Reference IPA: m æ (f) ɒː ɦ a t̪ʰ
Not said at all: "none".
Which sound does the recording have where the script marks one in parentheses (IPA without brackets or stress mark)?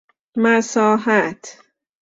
s